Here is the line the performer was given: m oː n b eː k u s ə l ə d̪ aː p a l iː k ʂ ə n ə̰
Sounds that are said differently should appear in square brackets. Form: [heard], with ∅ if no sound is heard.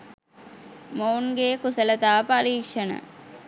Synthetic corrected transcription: m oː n [ɡ] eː k u s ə l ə [t̪] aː p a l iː k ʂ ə n ə̰